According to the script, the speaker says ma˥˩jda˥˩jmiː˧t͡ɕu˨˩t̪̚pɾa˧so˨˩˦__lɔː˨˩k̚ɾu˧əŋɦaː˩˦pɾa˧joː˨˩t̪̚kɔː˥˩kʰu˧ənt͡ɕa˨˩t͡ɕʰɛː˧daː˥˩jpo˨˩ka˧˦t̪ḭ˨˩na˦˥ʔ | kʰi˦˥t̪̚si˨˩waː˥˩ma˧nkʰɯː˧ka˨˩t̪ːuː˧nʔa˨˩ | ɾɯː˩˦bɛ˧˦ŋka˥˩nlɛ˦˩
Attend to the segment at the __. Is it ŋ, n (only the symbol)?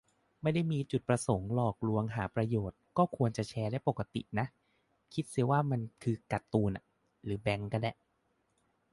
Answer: ŋ